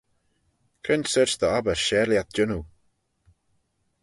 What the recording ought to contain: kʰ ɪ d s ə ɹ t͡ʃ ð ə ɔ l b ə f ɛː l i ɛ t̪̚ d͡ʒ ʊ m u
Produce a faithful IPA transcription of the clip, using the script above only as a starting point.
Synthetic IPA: kʰ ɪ n s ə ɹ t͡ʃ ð ə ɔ b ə ʃ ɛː l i a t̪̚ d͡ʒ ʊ n u